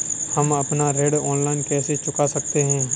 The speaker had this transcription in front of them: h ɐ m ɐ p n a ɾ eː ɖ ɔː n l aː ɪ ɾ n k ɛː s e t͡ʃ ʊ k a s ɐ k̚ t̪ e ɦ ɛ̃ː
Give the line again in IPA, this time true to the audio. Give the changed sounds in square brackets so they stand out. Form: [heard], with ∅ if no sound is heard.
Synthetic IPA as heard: h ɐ m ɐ p n a ɾ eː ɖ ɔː n l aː ɪ [∅] n k ɛː s e t͡ʃ ʊ k a s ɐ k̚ t̪ e ɦ ɛ̃ː